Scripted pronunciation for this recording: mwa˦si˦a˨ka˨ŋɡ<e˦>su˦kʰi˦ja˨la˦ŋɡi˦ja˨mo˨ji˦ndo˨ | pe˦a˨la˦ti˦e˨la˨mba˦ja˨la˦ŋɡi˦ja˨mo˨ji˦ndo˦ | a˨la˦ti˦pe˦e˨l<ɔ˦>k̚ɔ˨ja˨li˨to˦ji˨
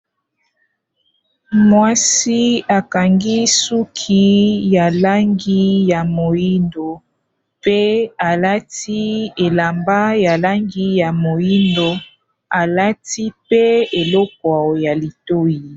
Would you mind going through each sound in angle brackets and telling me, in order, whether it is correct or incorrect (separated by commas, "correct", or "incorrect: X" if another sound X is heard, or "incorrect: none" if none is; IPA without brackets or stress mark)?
incorrect: i˦, correct